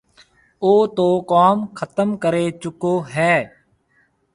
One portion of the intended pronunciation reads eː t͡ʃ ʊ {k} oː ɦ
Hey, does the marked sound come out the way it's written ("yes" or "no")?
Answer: yes